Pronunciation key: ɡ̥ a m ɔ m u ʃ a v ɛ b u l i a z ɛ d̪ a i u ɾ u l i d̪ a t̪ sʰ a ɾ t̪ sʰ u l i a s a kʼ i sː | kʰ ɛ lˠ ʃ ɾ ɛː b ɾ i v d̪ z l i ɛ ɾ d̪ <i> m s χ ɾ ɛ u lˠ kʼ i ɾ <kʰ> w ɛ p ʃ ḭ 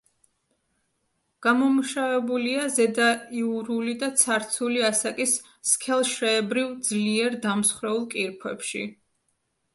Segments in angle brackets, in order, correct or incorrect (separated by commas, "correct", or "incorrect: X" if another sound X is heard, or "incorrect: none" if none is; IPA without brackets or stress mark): incorrect: a, incorrect: pʰ